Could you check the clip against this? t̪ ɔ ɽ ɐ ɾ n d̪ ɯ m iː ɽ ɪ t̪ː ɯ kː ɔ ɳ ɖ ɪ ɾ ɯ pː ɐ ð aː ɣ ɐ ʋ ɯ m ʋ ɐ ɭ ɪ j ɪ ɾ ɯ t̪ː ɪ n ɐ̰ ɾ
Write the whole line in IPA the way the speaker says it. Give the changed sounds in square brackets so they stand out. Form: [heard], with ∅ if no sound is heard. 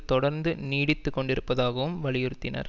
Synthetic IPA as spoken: t̪ ɔ ɽ ɐ ɾ n d̪ ɯ [n] iː ɽ ɪ t̪ː ɯ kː ɔ ɳ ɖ ɪ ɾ ɯ pː ɐ ð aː ɣ ɐ ʋ ɯ m ʋ ɐ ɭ ɪ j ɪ ɾ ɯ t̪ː ɪ n ɐ̰ ɾ